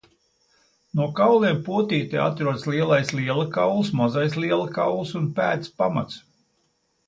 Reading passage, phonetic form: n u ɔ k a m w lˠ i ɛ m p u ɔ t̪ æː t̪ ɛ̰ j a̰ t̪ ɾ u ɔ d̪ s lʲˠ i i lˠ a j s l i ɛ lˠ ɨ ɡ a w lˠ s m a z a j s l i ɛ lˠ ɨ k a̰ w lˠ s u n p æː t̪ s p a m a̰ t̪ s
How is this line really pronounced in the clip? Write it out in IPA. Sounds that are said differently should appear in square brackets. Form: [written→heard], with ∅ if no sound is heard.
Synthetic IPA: n u ɔ k a [m→∅] w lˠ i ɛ m p u ɔ t̪ [æː→iː] t̪ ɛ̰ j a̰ t̪ ɾ u ɔ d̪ s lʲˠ i [i→ɛ] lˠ a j s l i ɛ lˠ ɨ [ɡ→k] a w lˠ s m a z a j s l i ɛ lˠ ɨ k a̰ w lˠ s u n p æː t̪ s p a m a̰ t̪ s

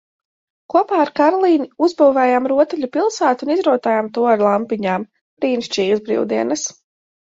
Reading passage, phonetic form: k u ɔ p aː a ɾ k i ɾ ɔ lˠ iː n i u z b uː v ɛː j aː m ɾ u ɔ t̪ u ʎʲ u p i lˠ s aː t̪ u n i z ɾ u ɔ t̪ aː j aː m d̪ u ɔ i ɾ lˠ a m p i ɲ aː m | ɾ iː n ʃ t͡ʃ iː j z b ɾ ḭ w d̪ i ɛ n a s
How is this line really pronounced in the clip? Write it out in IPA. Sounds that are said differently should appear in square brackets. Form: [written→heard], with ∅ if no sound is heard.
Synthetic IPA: k u ɔ p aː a ɾ k [i→a] ɾ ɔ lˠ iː n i u z b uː v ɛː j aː m ɾ u ɔ t̪ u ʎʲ u p i lˠ s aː t̪ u n i z ɾ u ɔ t̪ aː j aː m [d̪→t̪] u ɔ [i→a] ɾ lˠ a m p i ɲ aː m | ɾ iː n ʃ t͡ʃ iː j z b ɾ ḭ w d̪ i ɛ n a s

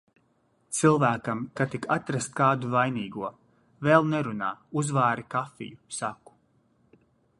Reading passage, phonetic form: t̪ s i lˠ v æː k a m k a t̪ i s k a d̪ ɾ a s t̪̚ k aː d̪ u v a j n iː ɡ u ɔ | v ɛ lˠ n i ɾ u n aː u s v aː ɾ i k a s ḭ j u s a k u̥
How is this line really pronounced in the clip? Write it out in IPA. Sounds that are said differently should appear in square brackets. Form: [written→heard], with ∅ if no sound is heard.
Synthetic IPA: t̪ s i lˠ v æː k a m k a t̪ i [s→∅] k a [d̪→t̪] ɾ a s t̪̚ k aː d̪ u v a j n iː ɡ u ɔ | v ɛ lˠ n [i→ɛ] ɾ u n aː u [s→z] v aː ɾ i k a [s→f] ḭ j u s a k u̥

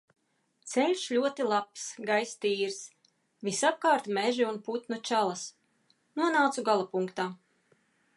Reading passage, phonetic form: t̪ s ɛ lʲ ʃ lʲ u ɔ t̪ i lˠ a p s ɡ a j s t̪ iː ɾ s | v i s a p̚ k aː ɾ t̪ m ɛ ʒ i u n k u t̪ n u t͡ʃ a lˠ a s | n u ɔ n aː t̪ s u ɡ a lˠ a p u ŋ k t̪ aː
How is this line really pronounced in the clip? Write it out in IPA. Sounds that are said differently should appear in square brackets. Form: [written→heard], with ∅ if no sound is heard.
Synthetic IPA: t̪ s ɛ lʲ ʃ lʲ u ɔ t̪ i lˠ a p s ɡ a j s t̪ iː ɾ s | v i s a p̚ k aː ɾ t̪ m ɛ ʒ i u n [k→p] u t̪ n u t͡ʃ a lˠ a s | n u ɔ n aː t̪ s u ɡ a lˠ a p u ŋ k t̪ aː

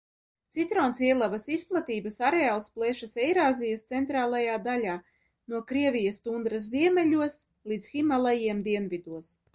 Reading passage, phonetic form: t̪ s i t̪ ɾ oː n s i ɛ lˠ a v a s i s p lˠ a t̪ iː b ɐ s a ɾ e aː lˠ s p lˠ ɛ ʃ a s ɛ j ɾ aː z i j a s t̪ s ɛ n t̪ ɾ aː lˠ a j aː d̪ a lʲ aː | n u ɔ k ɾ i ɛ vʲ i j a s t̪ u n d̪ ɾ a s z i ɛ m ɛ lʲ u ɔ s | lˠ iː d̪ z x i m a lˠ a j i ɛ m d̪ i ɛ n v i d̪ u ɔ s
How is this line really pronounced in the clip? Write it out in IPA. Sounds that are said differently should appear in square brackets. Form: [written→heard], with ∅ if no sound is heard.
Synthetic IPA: t̪ s i t̪ ɾ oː n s i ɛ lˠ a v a s i s p lˠ a t̪ iː b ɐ s a ɾ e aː lˠ s p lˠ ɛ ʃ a s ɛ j ɾ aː z i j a s t̪ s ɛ n t̪ ɾ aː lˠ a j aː d̪ a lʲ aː | n u ɔ k ɾ i ɛ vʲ i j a s t̪ u n d̪ ɾ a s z i ɛ m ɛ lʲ u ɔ s | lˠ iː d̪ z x i m a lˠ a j i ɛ m d̪ i ɛ n v i d̪ u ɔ s

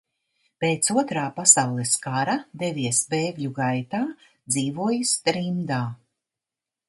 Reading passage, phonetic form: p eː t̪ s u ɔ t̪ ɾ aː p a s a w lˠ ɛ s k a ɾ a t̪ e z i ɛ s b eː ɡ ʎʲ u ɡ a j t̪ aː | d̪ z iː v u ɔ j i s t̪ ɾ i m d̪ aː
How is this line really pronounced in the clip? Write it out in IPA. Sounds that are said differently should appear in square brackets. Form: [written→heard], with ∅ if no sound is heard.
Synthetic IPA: p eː t̪ s u ɔ t̪ ɾ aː p a s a w lˠ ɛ s k a ɾ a [t̪→d̪] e [z→v] i ɛ s b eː ɡ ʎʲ u ɡ a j t̪ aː | d̪ z iː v u ɔ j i s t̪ ɾ i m d̪ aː

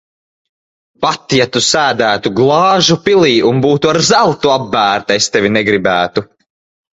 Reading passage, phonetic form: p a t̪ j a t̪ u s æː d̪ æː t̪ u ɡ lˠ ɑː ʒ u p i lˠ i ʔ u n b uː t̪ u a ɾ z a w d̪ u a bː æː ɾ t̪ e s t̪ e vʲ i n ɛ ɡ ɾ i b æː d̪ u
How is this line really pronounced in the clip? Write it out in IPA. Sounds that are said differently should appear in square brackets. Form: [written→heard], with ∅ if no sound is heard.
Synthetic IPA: p a t̪ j a t̪ u s æː d̪ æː t̪ u ɡ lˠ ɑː ʒ u p i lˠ [i→iː] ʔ u n b uː t̪ u a ɾ z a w [d̪→t̪] u a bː æː ɾ t̪ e s t̪ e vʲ i n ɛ ɡ ɾ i b æː [d̪→t̪] u

